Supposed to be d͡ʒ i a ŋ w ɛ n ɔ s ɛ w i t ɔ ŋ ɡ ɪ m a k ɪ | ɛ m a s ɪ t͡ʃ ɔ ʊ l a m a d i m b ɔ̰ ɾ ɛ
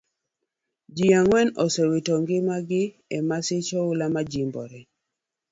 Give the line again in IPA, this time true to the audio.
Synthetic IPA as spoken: d͡ʒ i a ŋ w ɛ n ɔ s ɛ w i t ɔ ŋ ɡ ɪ m a ɡ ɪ | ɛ m a s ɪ t͡ʃ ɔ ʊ l a m a d͡ʒ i m b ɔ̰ ɾ ɛ